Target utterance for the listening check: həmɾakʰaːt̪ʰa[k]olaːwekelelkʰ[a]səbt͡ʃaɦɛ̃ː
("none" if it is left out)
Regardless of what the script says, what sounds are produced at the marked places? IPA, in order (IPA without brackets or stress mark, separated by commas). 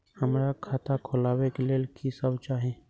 kʰ, i